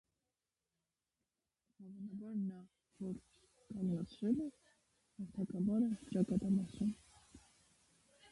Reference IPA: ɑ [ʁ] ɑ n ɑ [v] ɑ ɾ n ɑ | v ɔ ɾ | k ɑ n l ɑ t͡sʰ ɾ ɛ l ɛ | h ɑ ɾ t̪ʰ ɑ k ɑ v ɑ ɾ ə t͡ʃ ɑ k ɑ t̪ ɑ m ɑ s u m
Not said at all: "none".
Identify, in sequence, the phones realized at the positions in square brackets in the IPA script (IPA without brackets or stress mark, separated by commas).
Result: v, b